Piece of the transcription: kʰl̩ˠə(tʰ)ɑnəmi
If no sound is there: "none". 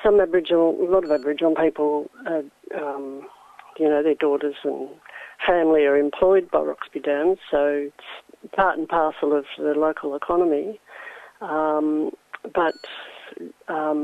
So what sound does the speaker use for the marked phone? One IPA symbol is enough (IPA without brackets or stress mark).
kʰ